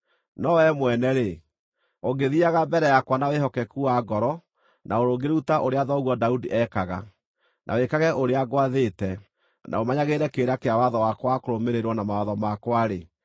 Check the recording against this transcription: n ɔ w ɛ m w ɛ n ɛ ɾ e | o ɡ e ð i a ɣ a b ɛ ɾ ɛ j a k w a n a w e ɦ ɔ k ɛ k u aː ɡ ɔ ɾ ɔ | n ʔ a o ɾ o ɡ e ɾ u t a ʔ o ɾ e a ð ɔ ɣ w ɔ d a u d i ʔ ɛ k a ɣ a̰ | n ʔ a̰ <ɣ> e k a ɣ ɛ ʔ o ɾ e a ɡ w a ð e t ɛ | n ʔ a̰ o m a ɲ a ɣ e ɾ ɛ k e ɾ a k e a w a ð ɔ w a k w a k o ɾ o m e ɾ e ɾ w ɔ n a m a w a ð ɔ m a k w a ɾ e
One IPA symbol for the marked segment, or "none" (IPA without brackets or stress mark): w